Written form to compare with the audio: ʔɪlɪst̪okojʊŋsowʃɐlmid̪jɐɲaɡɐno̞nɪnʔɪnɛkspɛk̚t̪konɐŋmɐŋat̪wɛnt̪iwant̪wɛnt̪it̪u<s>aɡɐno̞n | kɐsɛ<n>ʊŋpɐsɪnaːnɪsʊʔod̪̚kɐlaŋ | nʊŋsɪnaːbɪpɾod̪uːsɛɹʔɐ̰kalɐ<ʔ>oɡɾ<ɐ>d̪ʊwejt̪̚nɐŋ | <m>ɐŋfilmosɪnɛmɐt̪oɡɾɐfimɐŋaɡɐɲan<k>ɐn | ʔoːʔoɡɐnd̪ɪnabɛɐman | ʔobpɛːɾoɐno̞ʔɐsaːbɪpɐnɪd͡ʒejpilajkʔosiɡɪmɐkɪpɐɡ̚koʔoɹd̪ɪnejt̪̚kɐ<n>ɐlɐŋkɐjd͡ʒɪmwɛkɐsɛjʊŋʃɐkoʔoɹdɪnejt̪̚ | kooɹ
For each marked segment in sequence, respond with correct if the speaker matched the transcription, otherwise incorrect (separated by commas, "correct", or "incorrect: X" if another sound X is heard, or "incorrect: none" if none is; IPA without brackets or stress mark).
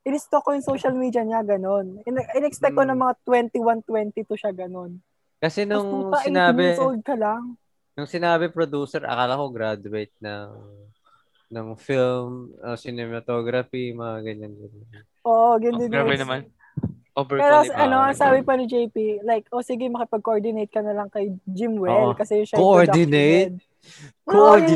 incorrect: ʃ, correct, incorrect: k, incorrect: a, incorrect: n, incorrect: ɡ, correct